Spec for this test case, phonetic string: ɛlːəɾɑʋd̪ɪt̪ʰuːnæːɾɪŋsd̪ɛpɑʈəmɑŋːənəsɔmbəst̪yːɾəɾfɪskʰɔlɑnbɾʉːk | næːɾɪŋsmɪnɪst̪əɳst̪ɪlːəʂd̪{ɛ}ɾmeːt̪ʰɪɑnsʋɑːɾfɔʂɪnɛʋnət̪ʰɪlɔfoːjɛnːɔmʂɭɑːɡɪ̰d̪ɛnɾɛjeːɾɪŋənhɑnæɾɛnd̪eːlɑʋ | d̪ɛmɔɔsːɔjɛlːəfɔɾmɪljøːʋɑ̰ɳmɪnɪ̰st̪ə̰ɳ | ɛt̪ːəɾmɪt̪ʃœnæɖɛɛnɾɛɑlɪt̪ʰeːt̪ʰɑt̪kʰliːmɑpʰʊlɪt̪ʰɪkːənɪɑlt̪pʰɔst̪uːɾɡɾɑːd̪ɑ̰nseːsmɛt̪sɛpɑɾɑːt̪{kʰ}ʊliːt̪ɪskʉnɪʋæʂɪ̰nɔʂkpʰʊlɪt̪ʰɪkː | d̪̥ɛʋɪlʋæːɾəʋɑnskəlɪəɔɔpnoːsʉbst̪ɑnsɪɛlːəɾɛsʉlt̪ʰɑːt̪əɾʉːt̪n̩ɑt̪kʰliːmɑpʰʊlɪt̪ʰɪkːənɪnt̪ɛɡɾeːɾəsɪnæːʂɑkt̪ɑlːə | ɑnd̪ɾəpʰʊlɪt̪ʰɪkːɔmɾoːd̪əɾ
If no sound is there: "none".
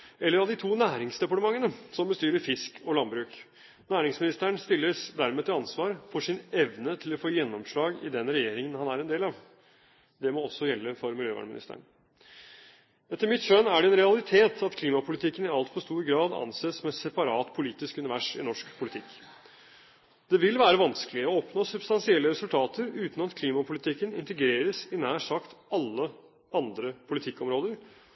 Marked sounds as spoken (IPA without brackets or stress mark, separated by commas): æ, pʰ